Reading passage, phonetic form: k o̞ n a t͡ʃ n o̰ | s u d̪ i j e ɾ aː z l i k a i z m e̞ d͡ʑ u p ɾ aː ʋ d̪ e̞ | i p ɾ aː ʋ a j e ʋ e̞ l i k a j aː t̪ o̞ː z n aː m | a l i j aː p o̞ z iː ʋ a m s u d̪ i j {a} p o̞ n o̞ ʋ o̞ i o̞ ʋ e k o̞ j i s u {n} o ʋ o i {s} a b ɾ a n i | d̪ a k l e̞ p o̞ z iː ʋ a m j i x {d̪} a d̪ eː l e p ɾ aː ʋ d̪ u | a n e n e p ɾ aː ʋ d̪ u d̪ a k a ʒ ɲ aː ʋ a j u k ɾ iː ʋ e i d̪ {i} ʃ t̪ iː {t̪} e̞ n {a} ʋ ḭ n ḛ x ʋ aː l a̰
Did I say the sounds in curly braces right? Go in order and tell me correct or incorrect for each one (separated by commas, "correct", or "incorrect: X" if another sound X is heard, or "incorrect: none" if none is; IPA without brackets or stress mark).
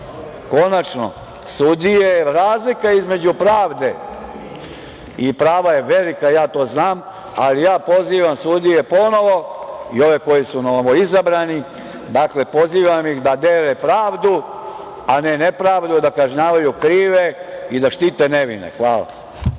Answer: incorrect: e, correct, incorrect: z, correct, incorrect: a, correct, incorrect: e